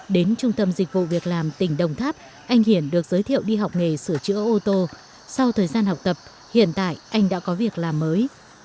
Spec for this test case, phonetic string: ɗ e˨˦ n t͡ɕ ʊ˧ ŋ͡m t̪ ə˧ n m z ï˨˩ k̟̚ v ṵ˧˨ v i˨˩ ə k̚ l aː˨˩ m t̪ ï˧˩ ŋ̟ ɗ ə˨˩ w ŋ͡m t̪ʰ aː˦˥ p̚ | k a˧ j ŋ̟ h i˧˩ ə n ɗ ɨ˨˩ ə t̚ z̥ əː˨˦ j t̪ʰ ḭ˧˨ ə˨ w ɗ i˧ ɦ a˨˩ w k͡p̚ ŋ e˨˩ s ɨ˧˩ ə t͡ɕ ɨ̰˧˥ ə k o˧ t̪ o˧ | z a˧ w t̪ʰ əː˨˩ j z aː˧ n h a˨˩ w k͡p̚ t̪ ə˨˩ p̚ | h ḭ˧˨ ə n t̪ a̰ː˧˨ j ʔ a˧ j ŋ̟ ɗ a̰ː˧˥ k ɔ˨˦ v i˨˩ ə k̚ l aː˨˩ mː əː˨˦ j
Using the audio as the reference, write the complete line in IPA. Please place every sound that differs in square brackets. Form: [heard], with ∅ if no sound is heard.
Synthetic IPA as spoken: ɗ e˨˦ n t͡ɕ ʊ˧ ŋ͡m t̪ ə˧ [∅] m z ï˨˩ k̟̚ v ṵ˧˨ v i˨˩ ə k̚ l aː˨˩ m t̪ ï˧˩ ŋ̟ ɗ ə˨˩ w ŋ͡m t̪ʰ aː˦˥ p̚ | [ʔ] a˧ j ŋ̟ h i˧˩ ə n ɗ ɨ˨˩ ə [k̚] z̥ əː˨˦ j t̪ʰ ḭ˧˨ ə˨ w ɗ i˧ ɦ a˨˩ w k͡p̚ ŋ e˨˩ s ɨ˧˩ ə t͡ɕ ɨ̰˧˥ ə [ʔ] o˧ t̪ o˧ | [s] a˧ w t̪ʰ əː˨˩ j z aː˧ n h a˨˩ w k͡p̚ t̪ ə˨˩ p̚ | h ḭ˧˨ ə n t̪ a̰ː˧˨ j ʔ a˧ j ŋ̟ ɗ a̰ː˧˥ k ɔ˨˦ v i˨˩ ə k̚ l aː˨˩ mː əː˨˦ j